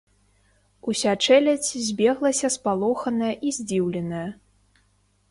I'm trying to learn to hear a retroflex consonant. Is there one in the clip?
yes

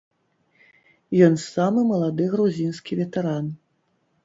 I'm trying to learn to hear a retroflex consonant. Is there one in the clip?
no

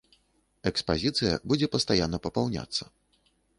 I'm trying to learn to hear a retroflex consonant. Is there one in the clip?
no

